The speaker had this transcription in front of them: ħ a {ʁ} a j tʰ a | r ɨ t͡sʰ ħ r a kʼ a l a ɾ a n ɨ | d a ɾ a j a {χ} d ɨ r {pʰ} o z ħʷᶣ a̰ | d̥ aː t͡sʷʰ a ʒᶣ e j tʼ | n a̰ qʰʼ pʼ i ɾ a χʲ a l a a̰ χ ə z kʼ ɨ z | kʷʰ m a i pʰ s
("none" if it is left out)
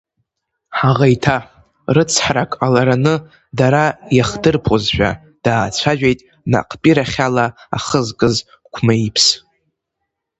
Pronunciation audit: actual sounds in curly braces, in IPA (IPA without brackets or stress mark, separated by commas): ʁ, χ, pʰ